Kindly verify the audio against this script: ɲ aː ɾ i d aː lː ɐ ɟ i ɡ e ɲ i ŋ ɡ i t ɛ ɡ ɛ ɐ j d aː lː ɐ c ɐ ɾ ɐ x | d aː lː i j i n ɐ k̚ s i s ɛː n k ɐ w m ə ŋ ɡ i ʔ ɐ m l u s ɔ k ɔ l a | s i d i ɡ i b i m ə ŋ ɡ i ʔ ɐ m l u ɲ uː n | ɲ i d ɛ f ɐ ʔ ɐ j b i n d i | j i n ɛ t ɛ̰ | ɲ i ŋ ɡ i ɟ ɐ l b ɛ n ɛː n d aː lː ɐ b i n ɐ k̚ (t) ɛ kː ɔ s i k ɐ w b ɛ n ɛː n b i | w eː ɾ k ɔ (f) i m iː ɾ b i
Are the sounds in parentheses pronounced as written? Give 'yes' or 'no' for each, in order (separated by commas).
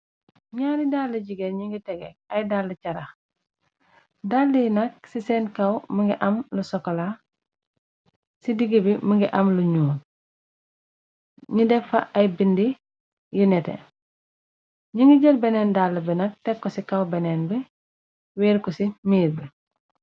yes, no